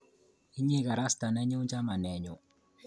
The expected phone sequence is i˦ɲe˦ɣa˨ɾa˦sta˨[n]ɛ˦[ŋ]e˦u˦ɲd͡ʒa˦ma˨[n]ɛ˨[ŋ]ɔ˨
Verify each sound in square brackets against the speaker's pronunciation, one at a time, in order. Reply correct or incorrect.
correct, incorrect: ɲ, correct, incorrect: ɲ

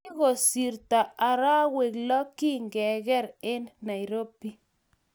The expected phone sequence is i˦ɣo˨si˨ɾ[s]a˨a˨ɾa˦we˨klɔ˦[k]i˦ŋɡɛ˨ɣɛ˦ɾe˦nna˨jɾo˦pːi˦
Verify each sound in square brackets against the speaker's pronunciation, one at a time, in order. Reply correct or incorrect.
incorrect: t, correct

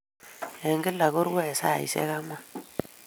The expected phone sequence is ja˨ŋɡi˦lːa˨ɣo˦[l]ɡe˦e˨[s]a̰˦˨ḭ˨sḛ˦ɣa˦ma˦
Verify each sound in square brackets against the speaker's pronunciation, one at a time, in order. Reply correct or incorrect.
incorrect: ɾ, correct

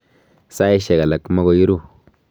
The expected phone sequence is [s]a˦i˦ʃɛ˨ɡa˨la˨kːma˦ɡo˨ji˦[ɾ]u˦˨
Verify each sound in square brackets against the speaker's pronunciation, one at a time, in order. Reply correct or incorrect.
correct, correct

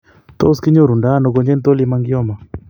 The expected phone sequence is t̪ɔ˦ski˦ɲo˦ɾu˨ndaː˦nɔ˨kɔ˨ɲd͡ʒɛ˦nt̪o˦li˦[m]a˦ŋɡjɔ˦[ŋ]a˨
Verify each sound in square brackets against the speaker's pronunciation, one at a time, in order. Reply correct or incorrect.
correct, incorrect: m

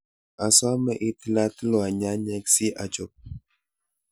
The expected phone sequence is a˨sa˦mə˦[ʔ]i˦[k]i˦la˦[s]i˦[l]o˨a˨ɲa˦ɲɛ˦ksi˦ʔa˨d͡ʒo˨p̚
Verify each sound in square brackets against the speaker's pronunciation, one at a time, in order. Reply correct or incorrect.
correct, incorrect: t, incorrect: t, correct

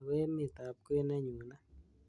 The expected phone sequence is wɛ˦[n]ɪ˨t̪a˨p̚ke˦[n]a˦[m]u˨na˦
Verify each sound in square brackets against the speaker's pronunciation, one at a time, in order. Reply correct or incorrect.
incorrect: m, correct, incorrect: ɲ

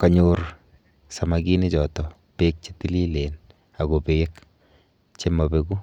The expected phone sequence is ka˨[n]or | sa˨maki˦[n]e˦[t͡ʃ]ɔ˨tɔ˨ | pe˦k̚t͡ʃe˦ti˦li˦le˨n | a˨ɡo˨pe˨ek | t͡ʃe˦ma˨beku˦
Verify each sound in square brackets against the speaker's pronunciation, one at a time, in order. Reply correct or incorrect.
incorrect: ɲ, correct, correct

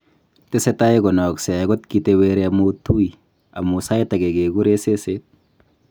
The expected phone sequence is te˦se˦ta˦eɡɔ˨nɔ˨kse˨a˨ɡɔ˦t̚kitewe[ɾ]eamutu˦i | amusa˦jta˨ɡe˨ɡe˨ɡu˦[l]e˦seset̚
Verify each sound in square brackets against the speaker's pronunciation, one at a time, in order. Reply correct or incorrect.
correct, incorrect: ɾ

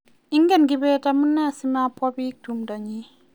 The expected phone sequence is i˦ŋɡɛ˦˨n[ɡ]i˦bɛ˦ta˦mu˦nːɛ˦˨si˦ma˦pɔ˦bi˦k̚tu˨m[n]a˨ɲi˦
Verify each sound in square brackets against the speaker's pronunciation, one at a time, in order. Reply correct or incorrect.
correct, incorrect: d

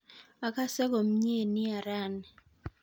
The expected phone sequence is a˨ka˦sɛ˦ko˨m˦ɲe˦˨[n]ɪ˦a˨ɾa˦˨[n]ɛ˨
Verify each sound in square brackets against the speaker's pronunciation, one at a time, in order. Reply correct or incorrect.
correct, correct

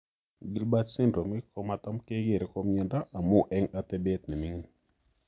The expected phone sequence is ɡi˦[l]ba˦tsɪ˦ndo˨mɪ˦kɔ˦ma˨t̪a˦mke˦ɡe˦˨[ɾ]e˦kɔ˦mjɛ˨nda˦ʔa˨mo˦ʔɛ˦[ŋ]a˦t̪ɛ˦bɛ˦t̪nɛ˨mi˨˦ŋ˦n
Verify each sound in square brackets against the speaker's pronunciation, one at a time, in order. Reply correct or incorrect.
correct, correct, correct

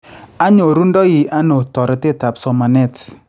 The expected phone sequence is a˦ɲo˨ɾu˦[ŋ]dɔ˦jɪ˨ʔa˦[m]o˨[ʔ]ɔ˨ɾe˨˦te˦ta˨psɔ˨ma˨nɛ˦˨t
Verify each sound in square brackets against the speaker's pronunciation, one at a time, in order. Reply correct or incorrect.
incorrect: n, incorrect: n, incorrect: t

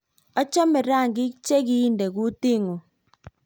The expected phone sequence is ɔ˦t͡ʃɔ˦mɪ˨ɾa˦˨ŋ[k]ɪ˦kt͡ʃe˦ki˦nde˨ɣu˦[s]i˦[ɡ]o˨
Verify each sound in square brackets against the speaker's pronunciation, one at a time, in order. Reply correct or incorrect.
incorrect: ɡ, incorrect: t, incorrect: ŋ

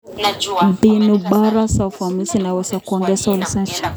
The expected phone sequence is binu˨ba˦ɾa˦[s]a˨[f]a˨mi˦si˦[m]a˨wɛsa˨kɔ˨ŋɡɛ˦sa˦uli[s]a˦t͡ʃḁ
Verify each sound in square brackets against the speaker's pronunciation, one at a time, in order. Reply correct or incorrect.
correct, correct, incorrect: n, correct

